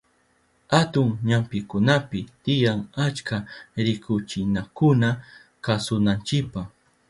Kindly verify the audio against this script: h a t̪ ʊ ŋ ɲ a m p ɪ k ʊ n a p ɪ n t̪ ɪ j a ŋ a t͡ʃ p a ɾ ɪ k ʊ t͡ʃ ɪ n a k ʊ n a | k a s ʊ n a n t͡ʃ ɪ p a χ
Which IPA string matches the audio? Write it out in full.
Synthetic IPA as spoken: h a t̪ ʊ ŋ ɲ a m p ɪ k ʊ n a p ɪ t̪ ɪ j a ŋ a t͡ʃ k a ɾ ɪ k ʊ t͡ʃ ɪ n a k ʊ n a | k a s ʊ n a n t͡ʃ ɪ p a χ